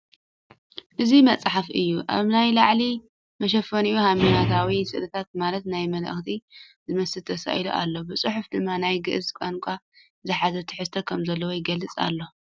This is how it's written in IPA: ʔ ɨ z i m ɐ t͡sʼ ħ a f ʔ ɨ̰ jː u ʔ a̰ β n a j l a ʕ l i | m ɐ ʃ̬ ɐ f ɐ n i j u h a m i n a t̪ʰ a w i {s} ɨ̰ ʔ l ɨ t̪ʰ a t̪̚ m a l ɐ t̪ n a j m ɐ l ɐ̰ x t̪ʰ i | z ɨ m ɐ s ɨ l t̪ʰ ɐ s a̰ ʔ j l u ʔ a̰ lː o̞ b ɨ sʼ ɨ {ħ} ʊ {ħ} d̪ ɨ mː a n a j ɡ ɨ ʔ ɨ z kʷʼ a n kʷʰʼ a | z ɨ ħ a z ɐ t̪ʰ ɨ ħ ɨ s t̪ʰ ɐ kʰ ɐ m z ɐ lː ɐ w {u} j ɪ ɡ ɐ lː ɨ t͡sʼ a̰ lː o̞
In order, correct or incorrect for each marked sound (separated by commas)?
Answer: correct, correct, incorrect, incorrect